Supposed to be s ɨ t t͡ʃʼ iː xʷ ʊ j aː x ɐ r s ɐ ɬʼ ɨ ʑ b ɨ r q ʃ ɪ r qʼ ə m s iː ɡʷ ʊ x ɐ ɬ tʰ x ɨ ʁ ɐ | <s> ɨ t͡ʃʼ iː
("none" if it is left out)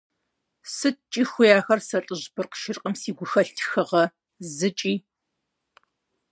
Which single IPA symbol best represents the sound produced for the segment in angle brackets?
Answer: z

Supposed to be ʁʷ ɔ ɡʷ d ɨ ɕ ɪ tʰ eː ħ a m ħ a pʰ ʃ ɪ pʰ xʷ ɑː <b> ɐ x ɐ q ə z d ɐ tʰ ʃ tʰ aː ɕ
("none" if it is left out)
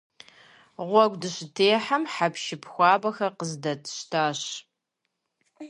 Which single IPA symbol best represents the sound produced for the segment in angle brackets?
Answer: b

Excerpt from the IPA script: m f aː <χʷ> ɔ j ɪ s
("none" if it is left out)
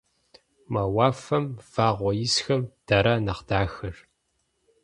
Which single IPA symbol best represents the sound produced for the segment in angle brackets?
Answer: ʁʷ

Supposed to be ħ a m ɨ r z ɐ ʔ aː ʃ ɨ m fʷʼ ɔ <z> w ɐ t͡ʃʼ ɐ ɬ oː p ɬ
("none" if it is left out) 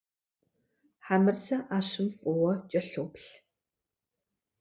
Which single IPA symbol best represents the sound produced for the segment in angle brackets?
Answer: none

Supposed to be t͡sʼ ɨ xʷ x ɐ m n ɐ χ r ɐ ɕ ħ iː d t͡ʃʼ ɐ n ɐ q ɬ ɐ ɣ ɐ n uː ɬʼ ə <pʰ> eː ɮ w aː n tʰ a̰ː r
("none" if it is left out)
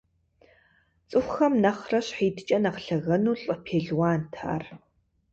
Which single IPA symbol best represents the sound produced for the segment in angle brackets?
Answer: pʰ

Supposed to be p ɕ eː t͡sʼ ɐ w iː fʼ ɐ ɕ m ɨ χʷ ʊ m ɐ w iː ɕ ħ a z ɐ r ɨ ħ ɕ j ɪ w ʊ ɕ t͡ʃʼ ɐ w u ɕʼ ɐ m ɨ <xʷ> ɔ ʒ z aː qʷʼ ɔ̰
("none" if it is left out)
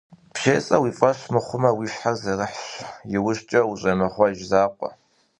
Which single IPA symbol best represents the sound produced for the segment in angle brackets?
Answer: χʷ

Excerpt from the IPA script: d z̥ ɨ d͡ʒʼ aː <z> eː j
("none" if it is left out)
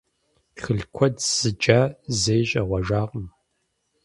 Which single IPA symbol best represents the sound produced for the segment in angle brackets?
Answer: z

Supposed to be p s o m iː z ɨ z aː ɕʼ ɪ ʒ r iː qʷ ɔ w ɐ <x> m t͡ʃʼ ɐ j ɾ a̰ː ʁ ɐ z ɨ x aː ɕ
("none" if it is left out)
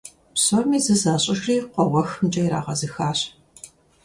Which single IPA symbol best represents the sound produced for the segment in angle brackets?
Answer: x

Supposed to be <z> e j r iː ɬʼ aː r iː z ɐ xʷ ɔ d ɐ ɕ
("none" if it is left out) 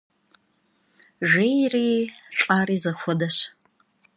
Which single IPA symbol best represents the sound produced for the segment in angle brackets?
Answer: ʒ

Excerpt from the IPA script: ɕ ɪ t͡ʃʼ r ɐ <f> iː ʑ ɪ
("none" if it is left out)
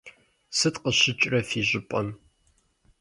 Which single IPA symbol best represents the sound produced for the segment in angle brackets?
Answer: f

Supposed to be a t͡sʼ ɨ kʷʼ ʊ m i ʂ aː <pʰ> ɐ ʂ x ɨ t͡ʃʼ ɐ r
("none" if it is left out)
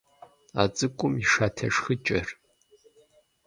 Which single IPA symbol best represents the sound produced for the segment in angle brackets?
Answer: tʰ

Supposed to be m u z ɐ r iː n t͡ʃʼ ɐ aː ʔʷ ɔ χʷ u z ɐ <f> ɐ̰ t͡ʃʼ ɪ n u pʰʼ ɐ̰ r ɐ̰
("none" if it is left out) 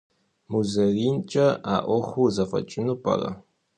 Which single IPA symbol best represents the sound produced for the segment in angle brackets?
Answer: f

